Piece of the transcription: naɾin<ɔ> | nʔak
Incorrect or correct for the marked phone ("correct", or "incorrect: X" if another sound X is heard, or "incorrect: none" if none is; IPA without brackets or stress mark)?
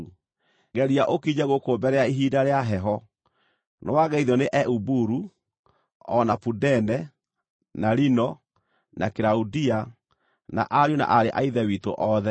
correct